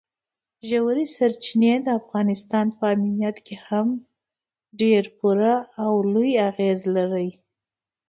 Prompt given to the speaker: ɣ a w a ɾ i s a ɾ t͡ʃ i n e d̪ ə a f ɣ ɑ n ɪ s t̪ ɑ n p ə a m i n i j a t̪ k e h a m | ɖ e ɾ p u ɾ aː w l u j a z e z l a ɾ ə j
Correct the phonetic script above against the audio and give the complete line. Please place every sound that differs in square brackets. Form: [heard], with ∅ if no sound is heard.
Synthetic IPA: [ʒ] a w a ɾ i s a ɾ t͡ʃ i n e d̪ ə a f ɣ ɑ n ɪ s t̪ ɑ n p ə a m i n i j a t̪ k e h a m | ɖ e ɾ p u ɾ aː w l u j a [ɣ] e z l a ɾ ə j